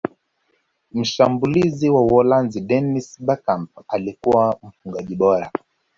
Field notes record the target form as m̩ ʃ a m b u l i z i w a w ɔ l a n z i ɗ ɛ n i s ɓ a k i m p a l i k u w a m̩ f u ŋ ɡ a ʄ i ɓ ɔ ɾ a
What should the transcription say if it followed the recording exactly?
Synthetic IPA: m̩ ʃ a m b u l i z i w a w ɔ l a n z i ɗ ɛ n i s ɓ a k a m p a l i k u w a m̩ f u ŋ ɡ a ʄ i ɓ ɔ ɾ a